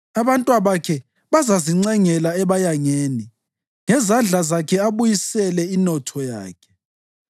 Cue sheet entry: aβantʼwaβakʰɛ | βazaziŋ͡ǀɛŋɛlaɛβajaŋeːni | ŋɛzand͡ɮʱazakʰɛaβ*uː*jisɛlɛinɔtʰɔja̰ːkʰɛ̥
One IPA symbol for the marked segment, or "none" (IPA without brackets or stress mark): u